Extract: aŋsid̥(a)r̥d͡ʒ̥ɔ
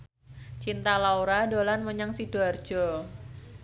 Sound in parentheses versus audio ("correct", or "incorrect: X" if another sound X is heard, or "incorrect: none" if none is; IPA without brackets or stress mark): correct